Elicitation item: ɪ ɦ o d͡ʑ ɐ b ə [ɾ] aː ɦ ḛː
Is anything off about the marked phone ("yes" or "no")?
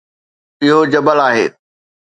yes